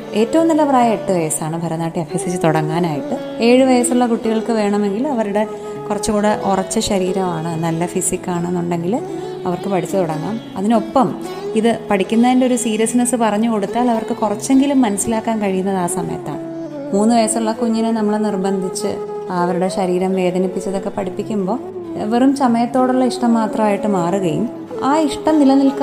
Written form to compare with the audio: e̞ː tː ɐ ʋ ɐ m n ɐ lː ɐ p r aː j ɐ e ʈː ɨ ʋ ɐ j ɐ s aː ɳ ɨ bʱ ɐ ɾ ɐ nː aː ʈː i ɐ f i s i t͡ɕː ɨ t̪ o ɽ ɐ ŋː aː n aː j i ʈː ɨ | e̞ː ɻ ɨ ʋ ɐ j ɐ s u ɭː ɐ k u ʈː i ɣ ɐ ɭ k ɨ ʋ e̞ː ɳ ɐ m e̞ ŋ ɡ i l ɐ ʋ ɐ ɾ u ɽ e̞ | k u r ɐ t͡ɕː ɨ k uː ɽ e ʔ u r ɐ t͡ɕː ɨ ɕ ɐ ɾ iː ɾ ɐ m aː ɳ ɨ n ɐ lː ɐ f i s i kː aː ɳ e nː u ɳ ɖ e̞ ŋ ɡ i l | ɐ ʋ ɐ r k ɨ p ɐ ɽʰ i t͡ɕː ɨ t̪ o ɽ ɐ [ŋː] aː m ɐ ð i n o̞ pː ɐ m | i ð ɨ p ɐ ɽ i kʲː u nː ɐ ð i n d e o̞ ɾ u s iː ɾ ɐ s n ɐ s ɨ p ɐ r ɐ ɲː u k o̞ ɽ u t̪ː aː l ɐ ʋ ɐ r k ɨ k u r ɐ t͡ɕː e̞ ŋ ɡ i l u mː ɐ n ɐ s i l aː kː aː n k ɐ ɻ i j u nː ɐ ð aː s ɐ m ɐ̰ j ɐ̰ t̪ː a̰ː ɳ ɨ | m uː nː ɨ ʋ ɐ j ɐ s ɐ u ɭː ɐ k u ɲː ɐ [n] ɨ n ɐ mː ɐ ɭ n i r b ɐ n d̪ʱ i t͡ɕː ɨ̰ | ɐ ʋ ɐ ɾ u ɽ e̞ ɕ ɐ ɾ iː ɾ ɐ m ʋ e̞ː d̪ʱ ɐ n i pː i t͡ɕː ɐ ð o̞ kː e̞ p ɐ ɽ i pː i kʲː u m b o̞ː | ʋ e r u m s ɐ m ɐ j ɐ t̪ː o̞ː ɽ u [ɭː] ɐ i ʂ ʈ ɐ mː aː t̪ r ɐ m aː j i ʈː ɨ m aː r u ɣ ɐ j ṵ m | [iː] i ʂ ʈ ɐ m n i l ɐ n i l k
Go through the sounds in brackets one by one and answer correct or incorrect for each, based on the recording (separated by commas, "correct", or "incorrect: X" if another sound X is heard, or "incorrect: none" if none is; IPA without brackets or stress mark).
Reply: correct, correct, correct, incorrect: aː